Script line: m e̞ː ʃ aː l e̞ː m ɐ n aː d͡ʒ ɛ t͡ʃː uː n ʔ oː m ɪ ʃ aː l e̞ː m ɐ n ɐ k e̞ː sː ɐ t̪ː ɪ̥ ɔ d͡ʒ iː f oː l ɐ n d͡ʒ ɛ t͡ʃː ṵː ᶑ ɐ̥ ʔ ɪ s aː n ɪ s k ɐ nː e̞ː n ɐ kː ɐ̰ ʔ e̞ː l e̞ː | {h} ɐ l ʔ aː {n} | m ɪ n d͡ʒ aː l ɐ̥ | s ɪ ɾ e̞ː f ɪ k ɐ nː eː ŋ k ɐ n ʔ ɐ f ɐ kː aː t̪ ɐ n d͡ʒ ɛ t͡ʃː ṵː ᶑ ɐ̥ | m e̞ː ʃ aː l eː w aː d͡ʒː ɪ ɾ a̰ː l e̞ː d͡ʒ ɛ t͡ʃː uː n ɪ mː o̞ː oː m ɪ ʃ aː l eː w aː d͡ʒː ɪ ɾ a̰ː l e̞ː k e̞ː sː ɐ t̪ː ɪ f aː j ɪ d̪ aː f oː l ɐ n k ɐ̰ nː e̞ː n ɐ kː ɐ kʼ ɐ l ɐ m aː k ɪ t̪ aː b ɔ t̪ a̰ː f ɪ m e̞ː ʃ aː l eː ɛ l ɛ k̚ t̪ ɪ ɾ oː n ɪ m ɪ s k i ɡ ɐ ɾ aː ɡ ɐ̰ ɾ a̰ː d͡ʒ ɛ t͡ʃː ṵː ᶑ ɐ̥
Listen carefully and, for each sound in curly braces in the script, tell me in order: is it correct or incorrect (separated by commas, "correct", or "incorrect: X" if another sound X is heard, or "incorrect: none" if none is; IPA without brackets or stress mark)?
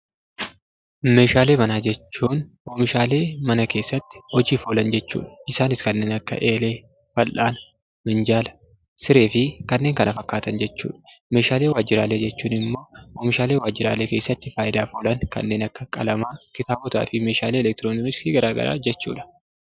incorrect: f, correct